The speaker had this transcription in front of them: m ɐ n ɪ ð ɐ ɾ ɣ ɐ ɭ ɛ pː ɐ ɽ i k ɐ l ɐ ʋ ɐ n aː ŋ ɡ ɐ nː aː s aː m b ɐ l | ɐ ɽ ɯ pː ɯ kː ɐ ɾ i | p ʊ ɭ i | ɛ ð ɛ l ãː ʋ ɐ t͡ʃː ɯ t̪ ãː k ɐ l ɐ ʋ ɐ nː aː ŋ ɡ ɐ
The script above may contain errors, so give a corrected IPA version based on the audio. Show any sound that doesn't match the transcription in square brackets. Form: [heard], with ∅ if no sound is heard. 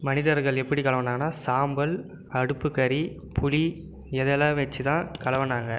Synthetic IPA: m ɐ n ɪ ð ɐ ɾ ɣ ɐ ɭ ɛ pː ɐ ɽ i k ɐ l ɐ ʋ ɐ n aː ŋ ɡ ɐ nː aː s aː m b ɐ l | ɐ ɽ ɯ pː ɯ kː ɐ ɾ i | p ʊ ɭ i | ɛ ð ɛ l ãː ʋ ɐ t͡ʃː ɯ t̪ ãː k ɐ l ɐ ʋ ɐ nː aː ŋ ɡ ɐ

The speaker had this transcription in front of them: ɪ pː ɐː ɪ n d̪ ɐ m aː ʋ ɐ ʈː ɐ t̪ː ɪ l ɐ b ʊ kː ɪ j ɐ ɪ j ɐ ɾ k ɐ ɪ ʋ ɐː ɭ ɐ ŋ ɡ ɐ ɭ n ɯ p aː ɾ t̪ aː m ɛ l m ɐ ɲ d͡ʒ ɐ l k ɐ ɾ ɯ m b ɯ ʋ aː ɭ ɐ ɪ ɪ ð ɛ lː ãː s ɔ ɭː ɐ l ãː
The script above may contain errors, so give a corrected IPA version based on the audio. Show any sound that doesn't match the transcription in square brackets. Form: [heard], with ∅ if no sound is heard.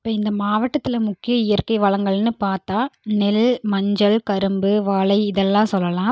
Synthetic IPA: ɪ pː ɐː ɪ n d̪ ɐ m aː ʋ ɐ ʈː ɐ t̪ː ɪ l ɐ [m] ʊ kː ɪ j ɐ ɪ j ɐ ɾ k ɐ ɪ ʋ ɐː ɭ ɐ ŋ ɡ ɐ ɭ n ɯ p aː ɾ t̪ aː [n] ɛ l m ɐ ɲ d͡ʒ ɐ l k ɐ ɾ ɯ m b ɯ ʋ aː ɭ ɐ ɪ ɪ ð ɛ lː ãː s ɔ [lː] ɐ l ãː

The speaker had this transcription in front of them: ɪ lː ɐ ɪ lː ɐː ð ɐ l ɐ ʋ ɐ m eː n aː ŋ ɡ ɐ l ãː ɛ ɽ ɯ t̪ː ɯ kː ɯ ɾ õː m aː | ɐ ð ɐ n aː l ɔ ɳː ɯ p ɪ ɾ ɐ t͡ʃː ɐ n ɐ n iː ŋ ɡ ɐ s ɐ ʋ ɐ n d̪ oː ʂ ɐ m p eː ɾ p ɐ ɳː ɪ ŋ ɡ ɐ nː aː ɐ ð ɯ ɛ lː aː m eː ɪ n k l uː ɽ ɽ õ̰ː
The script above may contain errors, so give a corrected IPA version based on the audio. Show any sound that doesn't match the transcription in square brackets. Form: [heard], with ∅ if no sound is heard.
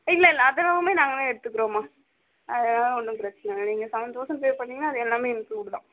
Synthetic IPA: ɪ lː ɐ ɪ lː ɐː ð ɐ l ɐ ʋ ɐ m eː n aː ŋ ɡ ɐ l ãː ɛ ɽ ɯ t̪ː ɯ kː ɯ ɾ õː m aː | ɐ ð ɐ n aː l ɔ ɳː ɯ p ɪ ɾ ɐ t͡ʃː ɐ n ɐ n iː ŋ ɡ ɐ s ɐ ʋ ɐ n d̪ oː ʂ ɐ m p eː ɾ p ɐ ɳː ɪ ŋ ɡ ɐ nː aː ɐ ð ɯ ɛ lː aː m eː ɪ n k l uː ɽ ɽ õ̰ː

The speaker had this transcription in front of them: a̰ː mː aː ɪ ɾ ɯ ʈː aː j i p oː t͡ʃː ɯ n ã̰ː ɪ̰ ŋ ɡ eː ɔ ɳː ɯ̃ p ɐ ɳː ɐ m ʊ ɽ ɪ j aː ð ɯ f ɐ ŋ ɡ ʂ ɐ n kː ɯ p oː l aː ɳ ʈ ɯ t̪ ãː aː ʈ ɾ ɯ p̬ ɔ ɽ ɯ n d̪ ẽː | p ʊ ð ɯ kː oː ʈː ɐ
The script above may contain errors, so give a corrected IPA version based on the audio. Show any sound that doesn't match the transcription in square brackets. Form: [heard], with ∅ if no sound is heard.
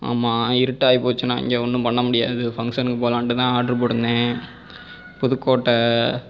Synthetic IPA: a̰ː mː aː ɪ ɾ ɯ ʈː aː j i p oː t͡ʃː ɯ n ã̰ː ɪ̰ ŋ ɡ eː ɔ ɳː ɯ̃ p ɐ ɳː ɐ m ʊ ɽ ɪ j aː ð ɯ f ɐ ŋ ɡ ʂ ɐ n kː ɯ p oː l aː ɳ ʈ ɯ t̪ ãː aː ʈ ɾ ɯ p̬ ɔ ɽ ɯ n d̪ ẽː | p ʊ ð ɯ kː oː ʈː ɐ

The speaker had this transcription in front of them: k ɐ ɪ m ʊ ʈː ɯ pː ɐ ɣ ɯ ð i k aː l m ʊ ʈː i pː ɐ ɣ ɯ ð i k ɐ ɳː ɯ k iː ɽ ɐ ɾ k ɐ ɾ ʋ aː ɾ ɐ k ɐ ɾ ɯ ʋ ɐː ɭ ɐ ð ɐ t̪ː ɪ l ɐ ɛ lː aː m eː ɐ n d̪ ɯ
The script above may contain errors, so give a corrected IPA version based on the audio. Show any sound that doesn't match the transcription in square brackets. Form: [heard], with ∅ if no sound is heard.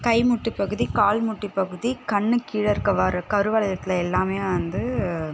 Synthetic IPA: k ɐ ɪ m ʊ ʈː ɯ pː ɐ ɣ ɯ ð i k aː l m ʊ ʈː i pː ɐ ɣ ɯ ð i k ɐ ɳː ɯ k iː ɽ ɐ ɾ k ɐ [∅] ʋ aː ɾ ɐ k ɐ ɾ ɯ ʋ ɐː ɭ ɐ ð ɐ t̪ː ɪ l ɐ ɛ lː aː m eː ɐ n d̪ ɯ

